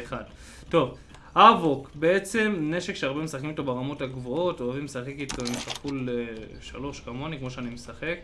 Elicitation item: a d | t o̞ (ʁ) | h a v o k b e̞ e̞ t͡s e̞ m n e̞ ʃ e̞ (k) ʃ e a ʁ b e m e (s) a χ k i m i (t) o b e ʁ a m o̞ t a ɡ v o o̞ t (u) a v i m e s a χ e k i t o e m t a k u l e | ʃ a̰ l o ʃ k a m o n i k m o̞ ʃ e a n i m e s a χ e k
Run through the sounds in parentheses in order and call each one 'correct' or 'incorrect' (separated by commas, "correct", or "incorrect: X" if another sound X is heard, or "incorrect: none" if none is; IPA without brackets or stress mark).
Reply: incorrect: v, correct, correct, correct, incorrect: o